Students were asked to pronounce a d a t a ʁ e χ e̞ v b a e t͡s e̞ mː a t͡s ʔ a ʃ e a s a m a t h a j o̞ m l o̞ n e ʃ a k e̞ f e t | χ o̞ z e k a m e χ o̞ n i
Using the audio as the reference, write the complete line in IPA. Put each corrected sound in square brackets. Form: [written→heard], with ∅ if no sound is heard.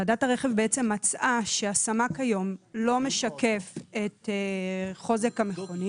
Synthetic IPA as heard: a d a t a ʁ e χ e̞ v b [a→e] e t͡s e̞ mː a t͡s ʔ a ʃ e a s a m a [t→k] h a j o̞ m l o̞ [n→m] e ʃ a k e̞ f e t | χ o̞ z e k a m e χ o̞ n i